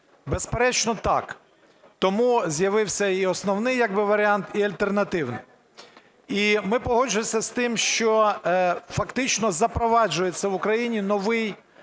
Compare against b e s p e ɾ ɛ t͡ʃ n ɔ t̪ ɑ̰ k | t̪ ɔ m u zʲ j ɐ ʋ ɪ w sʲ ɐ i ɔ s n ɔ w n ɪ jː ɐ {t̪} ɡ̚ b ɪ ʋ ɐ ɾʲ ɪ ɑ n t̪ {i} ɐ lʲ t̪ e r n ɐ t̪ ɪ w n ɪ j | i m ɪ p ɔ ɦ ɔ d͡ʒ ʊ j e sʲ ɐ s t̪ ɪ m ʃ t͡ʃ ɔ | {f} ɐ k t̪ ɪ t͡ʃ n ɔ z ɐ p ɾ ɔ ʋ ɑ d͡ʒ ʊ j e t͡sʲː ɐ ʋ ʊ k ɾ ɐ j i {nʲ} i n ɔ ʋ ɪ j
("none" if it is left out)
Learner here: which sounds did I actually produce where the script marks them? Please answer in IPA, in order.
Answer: none, i, f, nʲ

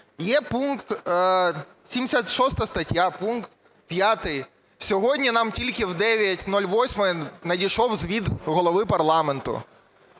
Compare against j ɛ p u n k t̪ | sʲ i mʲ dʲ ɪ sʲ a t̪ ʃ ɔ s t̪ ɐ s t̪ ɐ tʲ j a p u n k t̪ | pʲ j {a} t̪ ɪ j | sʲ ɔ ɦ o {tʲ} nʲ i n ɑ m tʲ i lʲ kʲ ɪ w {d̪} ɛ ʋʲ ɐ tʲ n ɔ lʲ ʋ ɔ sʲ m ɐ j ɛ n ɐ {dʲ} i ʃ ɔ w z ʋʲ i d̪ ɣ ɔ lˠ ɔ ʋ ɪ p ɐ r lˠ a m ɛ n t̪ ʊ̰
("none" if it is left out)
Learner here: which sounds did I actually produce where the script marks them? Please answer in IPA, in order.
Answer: a, dʲ, d̪, dʲ

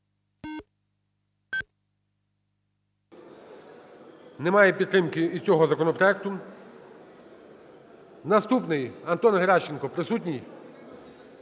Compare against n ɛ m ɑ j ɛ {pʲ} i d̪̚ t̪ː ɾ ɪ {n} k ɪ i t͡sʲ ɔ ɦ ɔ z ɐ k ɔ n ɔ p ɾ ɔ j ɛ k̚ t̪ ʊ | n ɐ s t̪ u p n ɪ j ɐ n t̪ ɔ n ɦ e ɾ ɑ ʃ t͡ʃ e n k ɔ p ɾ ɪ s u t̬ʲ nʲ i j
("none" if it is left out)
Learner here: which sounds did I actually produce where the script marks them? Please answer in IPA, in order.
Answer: pʲ, m

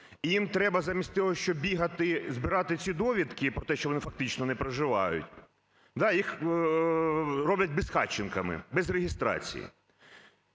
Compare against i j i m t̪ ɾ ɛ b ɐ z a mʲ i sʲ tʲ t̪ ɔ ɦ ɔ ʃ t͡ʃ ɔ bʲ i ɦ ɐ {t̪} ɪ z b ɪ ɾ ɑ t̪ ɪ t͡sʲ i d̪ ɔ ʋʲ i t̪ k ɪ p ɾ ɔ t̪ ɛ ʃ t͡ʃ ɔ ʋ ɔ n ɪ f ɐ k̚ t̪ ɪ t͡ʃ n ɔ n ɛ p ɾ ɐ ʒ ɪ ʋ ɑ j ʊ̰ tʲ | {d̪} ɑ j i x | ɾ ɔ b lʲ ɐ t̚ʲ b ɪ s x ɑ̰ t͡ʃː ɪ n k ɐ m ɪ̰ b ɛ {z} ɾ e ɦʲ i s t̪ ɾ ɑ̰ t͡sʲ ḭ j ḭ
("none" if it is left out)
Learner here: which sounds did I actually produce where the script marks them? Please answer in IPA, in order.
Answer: t̪, d̪, z

